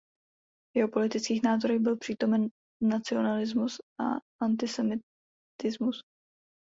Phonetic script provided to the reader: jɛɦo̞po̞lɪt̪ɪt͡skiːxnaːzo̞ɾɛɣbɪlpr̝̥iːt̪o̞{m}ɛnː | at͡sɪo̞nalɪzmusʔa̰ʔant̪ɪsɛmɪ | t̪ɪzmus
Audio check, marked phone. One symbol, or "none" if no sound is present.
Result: m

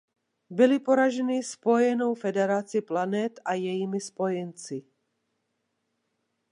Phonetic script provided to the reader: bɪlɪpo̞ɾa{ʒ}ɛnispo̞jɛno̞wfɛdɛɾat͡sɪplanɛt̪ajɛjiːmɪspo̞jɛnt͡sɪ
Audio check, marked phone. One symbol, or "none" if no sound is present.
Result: ʒ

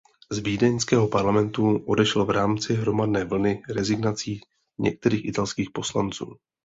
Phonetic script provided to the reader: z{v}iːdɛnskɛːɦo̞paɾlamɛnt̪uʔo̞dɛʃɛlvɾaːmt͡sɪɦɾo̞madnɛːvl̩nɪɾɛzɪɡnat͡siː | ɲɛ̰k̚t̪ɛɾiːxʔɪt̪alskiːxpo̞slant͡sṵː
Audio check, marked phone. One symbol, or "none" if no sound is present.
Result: v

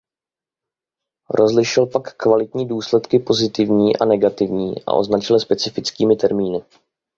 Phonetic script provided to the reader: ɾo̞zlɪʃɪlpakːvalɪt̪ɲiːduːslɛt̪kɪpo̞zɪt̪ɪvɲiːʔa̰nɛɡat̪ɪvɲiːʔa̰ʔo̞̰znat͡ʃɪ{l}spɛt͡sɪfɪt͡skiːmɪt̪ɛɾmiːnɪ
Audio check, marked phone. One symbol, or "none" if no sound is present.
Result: l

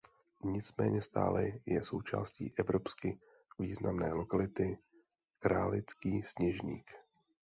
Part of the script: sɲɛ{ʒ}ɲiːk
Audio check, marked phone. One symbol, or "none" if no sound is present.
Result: ʒ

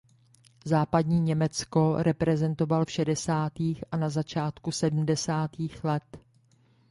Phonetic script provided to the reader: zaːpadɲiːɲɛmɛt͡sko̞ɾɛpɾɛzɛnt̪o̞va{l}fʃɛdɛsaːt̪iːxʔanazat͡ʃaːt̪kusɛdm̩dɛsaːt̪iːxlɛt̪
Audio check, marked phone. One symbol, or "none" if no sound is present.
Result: l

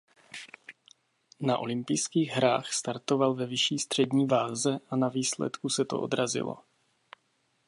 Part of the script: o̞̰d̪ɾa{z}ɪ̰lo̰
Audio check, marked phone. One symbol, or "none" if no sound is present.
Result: z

